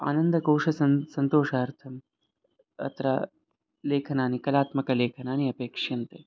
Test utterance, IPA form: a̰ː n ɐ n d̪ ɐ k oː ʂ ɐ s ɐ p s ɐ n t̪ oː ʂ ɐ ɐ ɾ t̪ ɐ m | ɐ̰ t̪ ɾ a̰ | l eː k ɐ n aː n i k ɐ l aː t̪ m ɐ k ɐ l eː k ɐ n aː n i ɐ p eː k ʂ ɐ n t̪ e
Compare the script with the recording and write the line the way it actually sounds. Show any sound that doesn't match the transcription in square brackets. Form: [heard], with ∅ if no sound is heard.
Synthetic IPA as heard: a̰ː n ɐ n d̪ ɐ k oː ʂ ɐ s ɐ [∅] s ɐ n t̪ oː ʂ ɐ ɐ ɾ [t̪ʰ] ɐ m | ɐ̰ t̪ ɾ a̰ | l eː [kʰ] ɐ n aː n i k ɐ l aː t̪ m ɐ k ɐ l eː [kʰ] ɐ n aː n i ɐ p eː k ʂ ɐ n t̪ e